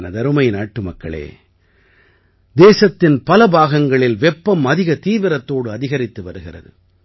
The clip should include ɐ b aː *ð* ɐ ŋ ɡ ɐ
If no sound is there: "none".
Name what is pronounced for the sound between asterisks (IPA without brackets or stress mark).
ɣ